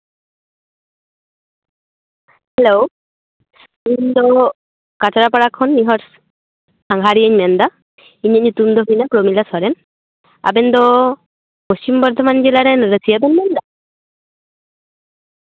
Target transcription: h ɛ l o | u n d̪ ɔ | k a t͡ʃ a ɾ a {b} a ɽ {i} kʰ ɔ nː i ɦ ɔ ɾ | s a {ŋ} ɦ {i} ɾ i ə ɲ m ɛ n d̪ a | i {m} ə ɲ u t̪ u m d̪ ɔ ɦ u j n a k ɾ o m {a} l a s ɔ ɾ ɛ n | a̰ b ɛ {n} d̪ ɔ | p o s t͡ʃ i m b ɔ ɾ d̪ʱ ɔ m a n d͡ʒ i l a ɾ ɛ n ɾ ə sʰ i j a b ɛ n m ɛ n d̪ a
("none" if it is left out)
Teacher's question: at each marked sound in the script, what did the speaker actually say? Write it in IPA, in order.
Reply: p, a, ŋ, a, ɲ, i, n

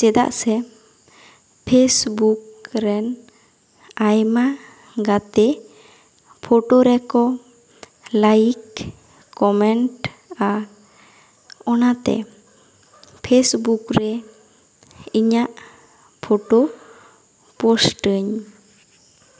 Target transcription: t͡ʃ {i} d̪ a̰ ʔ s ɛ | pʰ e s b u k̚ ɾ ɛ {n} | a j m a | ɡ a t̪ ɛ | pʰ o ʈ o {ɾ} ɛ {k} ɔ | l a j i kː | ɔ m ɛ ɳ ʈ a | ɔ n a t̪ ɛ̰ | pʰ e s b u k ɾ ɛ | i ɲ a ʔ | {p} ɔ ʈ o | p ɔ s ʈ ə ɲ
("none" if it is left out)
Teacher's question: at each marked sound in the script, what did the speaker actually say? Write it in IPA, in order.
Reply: ɛ, n, ɾ, k, pʰ

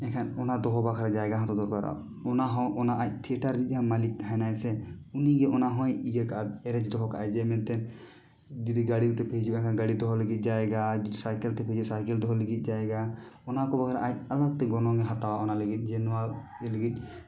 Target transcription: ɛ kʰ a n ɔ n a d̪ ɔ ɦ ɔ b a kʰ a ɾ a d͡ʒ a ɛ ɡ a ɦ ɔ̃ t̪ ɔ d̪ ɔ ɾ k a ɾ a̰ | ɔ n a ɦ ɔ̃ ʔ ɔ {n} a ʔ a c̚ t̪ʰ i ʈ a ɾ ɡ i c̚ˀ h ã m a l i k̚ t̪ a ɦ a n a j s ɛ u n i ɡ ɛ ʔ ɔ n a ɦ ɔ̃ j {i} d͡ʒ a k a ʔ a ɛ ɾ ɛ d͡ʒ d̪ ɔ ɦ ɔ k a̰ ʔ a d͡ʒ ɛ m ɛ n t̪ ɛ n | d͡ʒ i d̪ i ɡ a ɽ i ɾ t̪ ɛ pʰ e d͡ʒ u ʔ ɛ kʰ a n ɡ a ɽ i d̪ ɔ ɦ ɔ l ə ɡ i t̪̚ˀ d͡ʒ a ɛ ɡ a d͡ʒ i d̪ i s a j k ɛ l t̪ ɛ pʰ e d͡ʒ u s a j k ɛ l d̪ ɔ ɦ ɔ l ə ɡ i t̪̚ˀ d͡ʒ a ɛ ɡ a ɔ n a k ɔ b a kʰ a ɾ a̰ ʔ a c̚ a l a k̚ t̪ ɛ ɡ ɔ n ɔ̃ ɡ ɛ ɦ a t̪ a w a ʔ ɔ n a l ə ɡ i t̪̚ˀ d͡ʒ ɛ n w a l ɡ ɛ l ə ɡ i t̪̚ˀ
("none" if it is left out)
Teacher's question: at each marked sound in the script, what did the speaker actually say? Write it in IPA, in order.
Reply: n, i

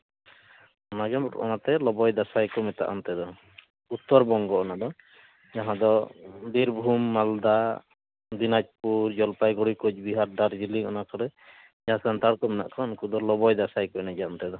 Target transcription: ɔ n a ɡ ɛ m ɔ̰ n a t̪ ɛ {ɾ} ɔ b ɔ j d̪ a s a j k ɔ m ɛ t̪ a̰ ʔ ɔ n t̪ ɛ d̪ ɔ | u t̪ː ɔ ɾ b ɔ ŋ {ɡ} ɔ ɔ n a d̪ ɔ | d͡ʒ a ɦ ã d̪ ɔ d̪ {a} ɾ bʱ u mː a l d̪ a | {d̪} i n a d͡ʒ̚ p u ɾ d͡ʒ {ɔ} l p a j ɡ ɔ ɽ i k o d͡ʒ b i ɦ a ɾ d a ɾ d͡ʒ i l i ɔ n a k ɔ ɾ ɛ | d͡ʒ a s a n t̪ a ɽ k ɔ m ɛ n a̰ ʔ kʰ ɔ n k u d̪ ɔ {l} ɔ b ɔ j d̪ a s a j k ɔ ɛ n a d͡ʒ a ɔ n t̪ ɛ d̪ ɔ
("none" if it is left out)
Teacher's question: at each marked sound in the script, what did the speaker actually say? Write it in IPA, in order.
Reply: l, ɡ, i, d̪, ɔ, l

